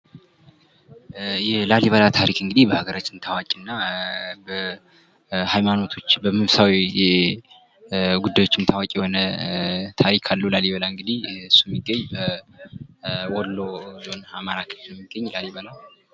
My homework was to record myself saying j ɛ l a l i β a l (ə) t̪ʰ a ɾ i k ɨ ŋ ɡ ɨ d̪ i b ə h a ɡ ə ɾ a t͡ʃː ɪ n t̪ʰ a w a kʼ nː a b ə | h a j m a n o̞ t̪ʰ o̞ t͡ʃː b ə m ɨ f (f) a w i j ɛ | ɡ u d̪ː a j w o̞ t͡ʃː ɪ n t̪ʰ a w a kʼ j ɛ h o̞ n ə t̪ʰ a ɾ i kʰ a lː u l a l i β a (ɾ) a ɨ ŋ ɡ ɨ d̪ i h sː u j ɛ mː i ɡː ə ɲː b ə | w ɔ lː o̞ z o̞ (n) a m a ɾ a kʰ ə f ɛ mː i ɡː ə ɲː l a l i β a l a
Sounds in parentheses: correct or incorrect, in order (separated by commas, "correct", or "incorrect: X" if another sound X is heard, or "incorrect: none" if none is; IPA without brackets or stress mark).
incorrect: a, incorrect: s, incorrect: l, correct